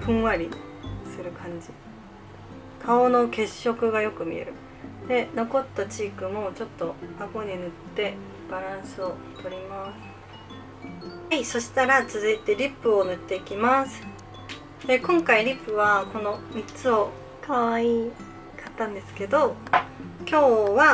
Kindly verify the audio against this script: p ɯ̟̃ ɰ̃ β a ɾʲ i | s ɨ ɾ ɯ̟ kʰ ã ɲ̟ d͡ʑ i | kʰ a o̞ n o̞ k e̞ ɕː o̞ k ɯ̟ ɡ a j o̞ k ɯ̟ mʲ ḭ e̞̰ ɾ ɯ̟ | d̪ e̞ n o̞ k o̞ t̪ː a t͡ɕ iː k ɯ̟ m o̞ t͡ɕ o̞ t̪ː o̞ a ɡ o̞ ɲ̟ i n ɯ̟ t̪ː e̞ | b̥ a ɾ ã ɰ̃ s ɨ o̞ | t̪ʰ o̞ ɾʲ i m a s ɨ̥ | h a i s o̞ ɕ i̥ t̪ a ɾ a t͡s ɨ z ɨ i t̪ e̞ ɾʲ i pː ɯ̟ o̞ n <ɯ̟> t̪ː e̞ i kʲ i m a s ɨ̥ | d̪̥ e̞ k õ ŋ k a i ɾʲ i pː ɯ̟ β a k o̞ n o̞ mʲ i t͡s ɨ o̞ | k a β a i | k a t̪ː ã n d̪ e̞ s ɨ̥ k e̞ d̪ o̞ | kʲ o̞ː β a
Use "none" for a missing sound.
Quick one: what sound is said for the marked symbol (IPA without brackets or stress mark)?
ɯ̟